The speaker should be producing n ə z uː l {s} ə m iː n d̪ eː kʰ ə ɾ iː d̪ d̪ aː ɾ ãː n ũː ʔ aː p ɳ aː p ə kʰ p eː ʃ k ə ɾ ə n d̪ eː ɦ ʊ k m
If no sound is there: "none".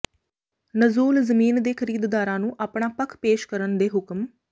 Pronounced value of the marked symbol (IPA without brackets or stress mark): z